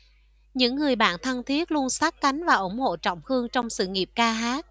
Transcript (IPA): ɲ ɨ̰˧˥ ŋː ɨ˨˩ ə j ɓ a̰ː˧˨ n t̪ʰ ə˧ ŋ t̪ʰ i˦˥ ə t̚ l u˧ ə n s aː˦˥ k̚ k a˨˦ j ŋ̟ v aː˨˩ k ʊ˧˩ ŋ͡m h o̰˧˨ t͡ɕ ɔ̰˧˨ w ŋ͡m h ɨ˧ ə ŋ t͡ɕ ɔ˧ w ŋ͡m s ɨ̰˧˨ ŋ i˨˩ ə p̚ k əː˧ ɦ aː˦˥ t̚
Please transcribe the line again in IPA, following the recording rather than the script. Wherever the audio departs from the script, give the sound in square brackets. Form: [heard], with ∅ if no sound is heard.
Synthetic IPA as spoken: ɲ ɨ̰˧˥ ŋː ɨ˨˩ ə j ɓ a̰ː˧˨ n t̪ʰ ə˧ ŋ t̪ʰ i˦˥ ə t̚ l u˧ ə n s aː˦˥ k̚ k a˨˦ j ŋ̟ v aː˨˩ [ʔ] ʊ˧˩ ŋ͡m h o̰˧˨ t͡ɕ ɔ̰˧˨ w ŋ͡m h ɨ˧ ə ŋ t͡ɕ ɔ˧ w ŋ͡m s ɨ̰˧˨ ŋ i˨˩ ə p̚ k [aː˧] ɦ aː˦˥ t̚